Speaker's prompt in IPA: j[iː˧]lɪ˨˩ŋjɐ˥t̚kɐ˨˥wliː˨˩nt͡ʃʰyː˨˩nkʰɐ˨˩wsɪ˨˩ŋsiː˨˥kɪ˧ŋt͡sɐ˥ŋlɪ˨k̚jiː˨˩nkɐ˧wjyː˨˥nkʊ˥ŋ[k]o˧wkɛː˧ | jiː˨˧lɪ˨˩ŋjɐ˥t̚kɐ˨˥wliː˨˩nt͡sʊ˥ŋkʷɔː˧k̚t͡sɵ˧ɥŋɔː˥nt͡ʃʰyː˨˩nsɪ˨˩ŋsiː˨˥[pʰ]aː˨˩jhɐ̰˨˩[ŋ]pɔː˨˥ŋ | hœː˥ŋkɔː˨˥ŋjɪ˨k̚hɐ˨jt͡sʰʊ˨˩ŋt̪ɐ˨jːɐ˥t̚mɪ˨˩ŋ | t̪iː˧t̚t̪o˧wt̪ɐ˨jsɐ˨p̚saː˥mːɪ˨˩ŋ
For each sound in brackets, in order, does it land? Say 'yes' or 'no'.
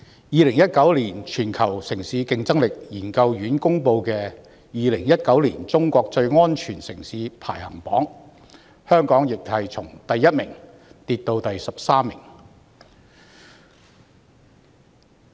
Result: yes, no, yes, yes

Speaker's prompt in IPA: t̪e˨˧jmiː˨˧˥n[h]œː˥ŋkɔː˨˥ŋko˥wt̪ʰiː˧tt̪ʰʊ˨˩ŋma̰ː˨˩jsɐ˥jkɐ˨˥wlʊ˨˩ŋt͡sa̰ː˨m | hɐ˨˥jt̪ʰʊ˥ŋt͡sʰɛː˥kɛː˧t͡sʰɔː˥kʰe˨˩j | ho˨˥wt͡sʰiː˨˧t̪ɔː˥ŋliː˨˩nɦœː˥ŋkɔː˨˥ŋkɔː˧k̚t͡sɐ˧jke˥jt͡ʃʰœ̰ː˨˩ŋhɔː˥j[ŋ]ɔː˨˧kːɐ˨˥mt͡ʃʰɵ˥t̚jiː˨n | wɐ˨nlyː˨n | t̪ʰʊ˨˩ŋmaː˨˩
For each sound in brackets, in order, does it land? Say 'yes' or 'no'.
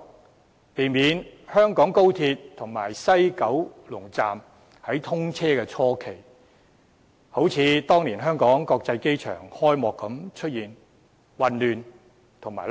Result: yes, no

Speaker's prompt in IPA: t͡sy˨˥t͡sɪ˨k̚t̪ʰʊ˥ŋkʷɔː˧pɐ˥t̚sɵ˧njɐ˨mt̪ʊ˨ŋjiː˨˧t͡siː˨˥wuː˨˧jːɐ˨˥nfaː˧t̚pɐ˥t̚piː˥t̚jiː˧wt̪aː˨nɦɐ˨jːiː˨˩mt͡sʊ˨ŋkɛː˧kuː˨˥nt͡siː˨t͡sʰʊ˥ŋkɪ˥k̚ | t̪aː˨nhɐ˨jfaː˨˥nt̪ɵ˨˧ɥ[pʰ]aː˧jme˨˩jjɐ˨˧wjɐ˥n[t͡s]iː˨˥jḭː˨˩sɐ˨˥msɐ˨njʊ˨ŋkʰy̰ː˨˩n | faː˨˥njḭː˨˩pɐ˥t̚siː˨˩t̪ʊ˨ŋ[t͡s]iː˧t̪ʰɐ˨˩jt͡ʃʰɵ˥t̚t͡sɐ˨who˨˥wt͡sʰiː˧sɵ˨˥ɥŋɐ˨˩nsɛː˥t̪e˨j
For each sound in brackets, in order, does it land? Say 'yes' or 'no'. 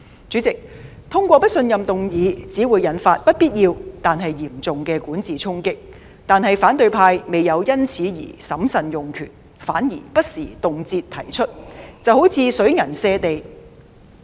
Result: yes, no, yes

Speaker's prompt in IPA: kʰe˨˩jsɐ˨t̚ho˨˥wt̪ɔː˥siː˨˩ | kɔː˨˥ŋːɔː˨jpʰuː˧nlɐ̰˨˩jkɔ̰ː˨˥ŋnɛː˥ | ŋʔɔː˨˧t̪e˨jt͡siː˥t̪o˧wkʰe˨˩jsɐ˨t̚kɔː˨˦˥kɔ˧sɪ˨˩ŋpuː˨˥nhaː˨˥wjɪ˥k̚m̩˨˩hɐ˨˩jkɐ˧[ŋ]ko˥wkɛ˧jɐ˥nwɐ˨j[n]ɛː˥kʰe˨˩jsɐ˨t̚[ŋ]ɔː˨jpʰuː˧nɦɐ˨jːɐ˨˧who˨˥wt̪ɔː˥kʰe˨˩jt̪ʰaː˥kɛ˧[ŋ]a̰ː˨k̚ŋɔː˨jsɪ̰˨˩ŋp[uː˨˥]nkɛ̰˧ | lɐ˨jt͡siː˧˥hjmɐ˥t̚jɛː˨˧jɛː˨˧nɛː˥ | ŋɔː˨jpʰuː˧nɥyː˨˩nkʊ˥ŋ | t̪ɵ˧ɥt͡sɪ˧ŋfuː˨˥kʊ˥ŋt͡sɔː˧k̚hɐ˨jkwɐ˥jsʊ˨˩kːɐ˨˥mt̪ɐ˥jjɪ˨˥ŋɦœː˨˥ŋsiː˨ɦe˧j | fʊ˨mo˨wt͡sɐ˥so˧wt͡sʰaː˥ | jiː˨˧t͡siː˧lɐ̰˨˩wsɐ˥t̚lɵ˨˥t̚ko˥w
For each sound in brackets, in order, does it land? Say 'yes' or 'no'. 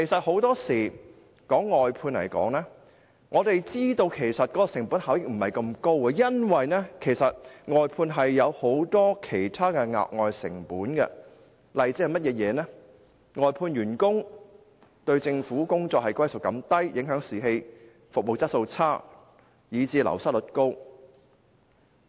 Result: no, yes, yes, yes, yes

